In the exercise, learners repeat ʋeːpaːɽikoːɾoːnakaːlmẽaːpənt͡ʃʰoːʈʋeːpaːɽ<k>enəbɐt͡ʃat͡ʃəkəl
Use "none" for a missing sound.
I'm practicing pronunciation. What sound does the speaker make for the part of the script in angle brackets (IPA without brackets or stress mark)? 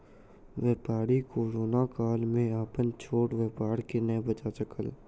k